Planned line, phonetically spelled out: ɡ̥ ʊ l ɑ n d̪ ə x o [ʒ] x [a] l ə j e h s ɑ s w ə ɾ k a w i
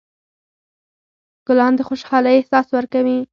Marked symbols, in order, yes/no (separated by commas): no, no